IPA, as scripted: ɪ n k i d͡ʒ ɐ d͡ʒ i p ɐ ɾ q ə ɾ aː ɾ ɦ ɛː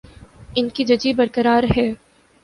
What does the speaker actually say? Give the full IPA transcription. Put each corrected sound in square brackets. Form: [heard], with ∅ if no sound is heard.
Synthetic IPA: ɪ n k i d͡ʒ ɐ d͡ʒ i [b] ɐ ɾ [k] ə ɾ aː ɾ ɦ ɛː